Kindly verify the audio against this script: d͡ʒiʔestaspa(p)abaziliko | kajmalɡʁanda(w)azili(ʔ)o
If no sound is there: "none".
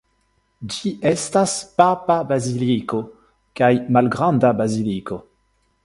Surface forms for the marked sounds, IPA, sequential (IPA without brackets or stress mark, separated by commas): p, b, k